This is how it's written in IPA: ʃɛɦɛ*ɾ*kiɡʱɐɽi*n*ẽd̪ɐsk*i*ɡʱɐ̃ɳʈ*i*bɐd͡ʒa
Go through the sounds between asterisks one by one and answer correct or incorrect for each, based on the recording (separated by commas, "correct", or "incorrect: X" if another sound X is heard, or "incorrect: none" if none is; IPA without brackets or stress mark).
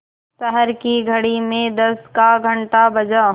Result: correct, incorrect: m, incorrect: a, incorrect: a